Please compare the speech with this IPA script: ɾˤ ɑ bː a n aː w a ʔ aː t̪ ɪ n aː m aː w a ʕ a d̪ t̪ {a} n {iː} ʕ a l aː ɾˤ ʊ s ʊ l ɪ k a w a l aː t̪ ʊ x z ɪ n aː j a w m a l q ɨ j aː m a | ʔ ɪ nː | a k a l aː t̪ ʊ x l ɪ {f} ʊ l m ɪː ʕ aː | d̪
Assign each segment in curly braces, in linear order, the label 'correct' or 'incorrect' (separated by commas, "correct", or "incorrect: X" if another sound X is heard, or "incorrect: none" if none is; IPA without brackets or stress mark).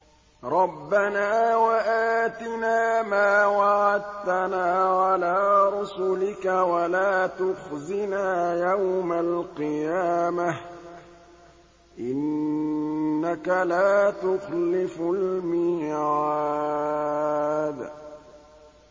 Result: correct, incorrect: aː, correct